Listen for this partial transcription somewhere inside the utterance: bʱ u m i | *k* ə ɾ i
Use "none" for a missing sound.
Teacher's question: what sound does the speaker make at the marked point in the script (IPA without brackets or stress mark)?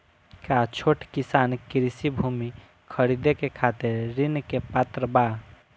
kʰ